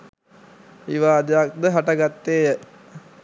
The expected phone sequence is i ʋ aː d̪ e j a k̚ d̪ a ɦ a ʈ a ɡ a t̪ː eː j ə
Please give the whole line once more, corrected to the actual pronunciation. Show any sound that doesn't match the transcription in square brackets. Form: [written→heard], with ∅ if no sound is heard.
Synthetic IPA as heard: i ʋ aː d̪ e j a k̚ d̪ [a→ə] ɦ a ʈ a ɡ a t̪ː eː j ə